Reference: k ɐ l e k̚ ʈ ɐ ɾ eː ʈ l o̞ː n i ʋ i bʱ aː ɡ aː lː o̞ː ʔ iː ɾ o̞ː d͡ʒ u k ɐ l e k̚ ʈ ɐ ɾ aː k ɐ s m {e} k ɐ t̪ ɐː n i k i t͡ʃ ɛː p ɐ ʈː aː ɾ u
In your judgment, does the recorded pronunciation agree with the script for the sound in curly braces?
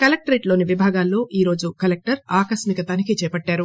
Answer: no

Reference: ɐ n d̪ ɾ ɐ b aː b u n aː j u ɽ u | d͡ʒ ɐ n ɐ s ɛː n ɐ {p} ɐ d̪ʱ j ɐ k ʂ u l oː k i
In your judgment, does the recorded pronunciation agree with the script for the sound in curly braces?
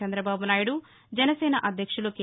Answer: no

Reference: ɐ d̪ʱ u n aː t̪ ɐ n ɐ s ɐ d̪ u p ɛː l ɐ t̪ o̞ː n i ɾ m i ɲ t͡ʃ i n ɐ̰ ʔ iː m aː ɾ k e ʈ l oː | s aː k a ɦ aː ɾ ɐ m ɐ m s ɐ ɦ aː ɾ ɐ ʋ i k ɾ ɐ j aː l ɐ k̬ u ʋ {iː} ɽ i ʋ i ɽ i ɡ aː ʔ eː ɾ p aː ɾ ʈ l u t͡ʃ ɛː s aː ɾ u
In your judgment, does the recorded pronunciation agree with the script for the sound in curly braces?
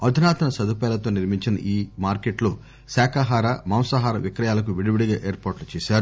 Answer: no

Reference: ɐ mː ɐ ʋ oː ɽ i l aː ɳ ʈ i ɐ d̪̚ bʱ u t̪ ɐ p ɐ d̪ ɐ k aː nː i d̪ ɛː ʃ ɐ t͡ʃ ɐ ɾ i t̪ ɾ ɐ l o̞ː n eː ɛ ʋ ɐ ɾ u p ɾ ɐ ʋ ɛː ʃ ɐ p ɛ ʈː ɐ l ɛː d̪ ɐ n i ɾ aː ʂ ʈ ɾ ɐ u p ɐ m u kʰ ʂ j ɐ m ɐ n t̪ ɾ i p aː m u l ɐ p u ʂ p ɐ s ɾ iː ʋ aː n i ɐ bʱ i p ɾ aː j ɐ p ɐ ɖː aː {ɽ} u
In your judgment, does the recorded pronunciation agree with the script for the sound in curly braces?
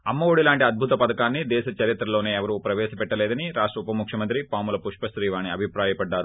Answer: no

